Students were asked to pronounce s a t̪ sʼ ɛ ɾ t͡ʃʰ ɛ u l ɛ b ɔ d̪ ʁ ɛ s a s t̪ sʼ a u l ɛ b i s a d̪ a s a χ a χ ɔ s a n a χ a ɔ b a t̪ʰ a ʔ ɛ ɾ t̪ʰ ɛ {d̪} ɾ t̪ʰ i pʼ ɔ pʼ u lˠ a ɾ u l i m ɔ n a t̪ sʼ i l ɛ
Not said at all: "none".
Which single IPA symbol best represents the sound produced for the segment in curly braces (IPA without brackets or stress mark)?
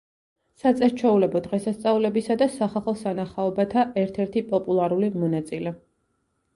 none